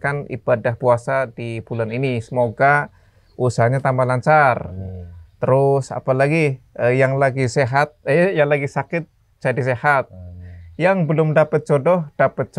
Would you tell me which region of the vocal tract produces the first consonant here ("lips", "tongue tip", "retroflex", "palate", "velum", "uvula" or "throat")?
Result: velum